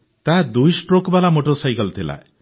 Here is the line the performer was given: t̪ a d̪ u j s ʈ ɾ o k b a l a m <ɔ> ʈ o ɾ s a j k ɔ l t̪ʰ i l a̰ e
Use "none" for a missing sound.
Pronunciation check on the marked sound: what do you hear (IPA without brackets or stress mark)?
o